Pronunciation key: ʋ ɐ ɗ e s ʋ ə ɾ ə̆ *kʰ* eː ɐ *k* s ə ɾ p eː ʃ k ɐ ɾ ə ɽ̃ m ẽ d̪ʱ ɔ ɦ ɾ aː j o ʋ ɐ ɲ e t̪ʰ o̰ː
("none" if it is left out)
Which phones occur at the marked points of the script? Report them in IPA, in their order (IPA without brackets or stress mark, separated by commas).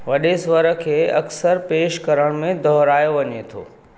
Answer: kʰ, k